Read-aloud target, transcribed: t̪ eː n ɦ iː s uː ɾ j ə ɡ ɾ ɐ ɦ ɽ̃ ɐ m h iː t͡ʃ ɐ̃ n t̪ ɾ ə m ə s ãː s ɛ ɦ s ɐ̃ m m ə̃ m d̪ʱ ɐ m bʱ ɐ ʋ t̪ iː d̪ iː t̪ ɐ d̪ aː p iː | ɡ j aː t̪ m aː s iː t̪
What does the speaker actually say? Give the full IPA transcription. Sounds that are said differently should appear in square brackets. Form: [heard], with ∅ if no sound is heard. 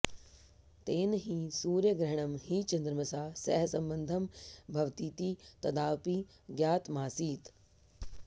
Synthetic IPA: t̪ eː n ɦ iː s uː ɾ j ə ɡ ɾ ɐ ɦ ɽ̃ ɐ m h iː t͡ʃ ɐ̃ n [d̪] ɾ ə m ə s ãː s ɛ ɦ s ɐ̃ m [b] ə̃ [n] d̪ʱ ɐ m bʱ ɐ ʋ t̪ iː [t̪] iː t̪ ɐ d̪ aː p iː | ɡ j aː t̪ m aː s iː t̪